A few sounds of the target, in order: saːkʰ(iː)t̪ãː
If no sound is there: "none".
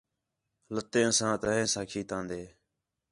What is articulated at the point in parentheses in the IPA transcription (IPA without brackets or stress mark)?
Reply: iː